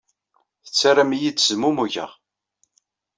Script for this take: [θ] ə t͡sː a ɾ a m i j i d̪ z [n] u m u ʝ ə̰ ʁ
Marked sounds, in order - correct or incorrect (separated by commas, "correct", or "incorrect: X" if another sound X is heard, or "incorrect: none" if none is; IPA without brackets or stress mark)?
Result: correct, incorrect: m